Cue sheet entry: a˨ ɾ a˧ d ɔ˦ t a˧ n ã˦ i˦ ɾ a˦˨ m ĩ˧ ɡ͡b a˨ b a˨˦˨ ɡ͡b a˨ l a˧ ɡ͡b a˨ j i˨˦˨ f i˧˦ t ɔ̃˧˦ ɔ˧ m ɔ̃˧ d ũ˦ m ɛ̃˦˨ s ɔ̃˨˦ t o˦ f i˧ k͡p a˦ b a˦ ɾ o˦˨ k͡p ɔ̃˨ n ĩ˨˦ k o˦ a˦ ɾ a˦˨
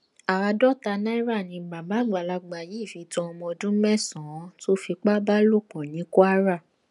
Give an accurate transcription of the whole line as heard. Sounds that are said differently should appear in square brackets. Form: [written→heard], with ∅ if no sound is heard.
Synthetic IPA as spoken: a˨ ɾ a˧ d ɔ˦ t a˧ n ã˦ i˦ ɾ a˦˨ [m→n] ĩ˧ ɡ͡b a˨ b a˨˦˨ ɡ͡b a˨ l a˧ ɡ͡b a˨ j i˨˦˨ f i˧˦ t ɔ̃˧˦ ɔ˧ m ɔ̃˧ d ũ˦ m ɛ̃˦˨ s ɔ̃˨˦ t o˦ f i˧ k͡p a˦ b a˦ [ɾ→l] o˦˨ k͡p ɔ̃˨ n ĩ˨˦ k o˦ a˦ ɾ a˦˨